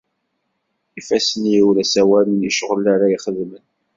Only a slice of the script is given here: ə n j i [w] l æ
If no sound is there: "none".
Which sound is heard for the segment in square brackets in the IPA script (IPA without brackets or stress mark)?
w